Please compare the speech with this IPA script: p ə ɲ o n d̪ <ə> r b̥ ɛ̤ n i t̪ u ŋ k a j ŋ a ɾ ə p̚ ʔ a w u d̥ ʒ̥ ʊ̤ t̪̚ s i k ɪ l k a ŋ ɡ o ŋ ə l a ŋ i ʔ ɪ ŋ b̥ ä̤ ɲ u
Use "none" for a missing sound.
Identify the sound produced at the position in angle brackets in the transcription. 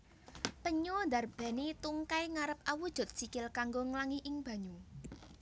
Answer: a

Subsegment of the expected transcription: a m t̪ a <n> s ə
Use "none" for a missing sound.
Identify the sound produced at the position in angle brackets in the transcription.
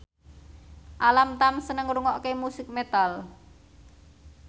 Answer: m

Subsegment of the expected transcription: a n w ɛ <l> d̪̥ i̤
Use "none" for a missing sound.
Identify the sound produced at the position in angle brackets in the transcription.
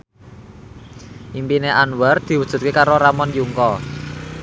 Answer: r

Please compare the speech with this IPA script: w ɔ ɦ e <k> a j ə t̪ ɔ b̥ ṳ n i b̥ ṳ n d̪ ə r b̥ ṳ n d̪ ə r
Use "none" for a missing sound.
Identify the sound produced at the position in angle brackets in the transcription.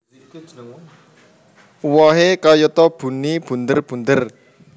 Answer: k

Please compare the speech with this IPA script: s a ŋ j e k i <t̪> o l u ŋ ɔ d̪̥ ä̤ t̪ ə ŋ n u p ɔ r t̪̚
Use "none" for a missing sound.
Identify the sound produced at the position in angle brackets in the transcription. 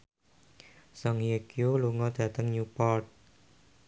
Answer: none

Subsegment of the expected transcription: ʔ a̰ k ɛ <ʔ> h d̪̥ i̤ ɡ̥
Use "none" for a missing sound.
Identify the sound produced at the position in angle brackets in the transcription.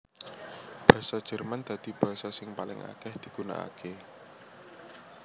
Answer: none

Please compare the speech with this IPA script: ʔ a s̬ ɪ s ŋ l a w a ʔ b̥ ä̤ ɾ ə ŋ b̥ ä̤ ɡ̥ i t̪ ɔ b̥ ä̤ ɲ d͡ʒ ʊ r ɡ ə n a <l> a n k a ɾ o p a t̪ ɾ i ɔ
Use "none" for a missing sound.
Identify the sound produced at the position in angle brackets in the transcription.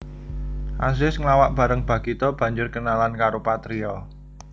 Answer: l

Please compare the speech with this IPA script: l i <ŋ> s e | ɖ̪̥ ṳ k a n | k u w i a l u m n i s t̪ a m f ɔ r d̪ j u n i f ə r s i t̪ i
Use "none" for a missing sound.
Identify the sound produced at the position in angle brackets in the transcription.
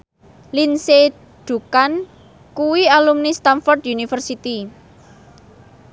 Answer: n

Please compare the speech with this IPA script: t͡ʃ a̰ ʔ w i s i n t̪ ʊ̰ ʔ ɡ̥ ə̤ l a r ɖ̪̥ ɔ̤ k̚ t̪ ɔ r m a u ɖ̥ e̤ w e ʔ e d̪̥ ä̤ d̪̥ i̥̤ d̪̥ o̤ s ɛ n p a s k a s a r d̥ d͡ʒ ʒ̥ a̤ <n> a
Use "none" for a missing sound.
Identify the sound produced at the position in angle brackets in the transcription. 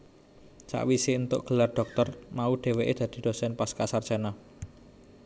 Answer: n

